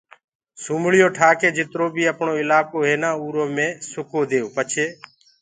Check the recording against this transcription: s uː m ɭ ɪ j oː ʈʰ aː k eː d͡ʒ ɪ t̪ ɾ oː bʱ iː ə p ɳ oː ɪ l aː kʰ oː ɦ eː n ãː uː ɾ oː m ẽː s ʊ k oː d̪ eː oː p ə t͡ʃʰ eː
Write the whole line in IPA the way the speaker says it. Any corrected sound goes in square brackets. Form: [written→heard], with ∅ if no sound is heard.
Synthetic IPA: s uː m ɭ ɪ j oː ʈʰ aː k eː d͡ʒ ɪ t̪ ɾ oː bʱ iː ə p ɳ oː ɪ l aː [kʰ→k] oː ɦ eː n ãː uː ɾ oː m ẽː s ʊ k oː d̪ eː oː p ə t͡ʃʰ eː